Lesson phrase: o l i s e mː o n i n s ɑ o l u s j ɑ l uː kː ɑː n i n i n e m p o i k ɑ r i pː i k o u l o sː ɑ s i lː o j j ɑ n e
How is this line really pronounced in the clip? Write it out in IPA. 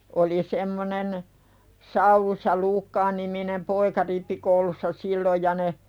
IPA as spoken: o l i s e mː o n e n s ɑ u l u s j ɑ l uː kː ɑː n i m i n e m p o i k ɑ r i pː i k o u l u sː ɑ s i lː o j j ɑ n e